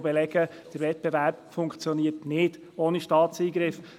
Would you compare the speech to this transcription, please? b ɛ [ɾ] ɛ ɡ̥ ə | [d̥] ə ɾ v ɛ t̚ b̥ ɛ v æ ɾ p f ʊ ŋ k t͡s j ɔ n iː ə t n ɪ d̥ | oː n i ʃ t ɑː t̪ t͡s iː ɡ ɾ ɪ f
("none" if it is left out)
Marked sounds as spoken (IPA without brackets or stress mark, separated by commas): l, d̥